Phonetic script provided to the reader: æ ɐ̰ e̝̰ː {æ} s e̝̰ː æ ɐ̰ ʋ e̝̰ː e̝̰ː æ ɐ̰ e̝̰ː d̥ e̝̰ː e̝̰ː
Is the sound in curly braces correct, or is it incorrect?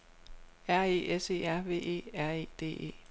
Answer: incorrect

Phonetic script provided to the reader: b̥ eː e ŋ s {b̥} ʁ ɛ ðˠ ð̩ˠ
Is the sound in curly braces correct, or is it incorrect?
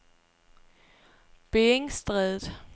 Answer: incorrect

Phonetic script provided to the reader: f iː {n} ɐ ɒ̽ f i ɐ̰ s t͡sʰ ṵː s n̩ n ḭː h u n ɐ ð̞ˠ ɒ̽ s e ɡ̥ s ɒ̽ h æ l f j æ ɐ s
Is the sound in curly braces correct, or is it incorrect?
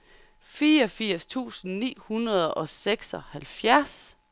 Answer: incorrect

